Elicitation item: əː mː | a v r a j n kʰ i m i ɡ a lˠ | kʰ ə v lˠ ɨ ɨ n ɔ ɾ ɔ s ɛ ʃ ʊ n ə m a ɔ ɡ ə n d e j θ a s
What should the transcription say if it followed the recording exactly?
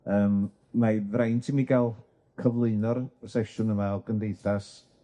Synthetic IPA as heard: əː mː | a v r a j n tʰ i m i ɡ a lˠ | kʰ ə v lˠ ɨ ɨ n ɔ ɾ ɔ s ɛ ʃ ʊ n ə m a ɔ ɡ ə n d e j θ a s